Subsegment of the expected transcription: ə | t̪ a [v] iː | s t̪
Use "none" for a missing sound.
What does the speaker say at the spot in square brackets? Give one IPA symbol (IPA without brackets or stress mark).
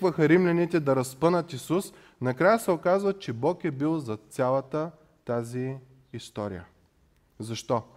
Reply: z